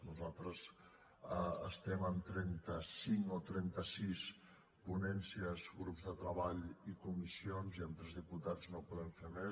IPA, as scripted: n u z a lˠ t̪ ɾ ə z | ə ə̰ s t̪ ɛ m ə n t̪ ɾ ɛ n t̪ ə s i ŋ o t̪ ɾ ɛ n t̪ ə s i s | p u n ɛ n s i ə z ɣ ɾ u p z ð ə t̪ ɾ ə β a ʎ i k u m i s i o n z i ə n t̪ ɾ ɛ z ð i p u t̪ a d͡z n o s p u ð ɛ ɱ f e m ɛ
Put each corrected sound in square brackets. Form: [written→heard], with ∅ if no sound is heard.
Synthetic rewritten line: n u z a lˠ t̪ ɾ ə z | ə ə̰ s t̪ ɛ m ə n t̪ ɾ ɛ n t̪ ə s i ŋ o t̪ ɾ ɛ n t̪ ə s i s | p u n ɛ n s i ə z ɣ ɾ u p z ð ə t̪ ɾ ə β a ʎ i k u m i s i o n z i ə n t̪ ɾ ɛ z ð i p u t̪ a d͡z n o [s→∅] p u ð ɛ ɱ f e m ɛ